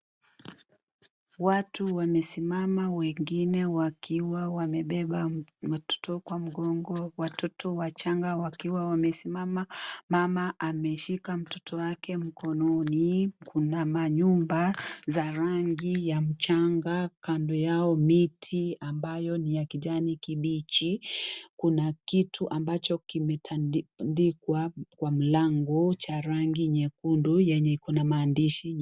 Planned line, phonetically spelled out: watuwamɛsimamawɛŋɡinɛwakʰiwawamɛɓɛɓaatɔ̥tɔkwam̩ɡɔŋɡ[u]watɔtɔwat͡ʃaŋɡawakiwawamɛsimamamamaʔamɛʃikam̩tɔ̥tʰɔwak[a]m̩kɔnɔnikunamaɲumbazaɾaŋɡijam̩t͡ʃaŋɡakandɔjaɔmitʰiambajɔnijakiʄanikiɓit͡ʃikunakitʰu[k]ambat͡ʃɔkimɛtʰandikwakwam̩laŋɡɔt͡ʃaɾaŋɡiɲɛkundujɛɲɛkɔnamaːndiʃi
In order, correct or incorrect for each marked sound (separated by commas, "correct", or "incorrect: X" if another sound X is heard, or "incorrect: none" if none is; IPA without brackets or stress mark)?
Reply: incorrect: ɔ, incorrect: ɛ, incorrect: ʔ